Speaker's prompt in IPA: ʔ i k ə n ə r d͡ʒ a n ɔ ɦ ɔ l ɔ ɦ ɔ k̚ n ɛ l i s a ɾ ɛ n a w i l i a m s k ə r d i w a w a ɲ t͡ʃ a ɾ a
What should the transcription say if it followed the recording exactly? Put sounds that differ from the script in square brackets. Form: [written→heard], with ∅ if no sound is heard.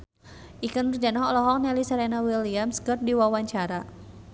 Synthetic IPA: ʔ i k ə n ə r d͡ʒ a n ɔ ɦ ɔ l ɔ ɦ ɔ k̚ n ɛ l i s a ɾ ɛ n a w i l i a m s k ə r d i w a w a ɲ t͡ʃ a ɾ a